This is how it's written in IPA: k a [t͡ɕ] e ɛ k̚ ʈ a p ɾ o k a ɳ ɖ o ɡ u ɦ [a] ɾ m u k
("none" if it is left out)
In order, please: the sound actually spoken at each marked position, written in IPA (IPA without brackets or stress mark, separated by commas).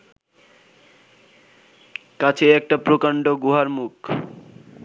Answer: t͡ɕʰ, a